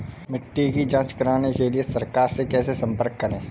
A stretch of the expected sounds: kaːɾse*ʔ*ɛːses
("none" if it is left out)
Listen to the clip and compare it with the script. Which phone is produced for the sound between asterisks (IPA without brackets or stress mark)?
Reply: k